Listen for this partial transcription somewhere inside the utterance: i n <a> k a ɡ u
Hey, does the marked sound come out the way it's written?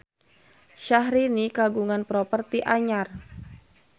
no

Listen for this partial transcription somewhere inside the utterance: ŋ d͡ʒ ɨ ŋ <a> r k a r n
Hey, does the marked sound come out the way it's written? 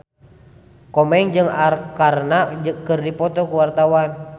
yes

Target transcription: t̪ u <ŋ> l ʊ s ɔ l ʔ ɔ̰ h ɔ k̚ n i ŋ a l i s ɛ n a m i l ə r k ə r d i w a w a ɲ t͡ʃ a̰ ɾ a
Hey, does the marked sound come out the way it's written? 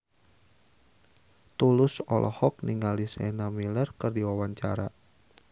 no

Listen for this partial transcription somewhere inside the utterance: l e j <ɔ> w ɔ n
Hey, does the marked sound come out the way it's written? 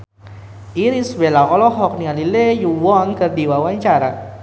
no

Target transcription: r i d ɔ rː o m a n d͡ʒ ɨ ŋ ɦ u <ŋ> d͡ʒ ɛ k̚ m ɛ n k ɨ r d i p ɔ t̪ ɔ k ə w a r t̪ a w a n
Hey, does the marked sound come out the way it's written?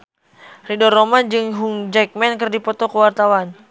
yes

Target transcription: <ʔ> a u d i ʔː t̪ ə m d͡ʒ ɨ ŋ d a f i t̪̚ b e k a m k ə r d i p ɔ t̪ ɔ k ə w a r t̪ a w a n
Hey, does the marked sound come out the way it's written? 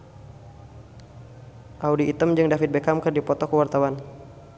yes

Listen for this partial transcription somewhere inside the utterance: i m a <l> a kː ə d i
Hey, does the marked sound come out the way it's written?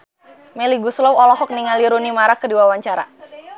no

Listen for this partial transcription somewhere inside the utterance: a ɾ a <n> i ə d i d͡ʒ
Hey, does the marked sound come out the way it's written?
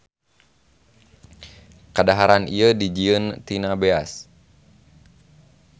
yes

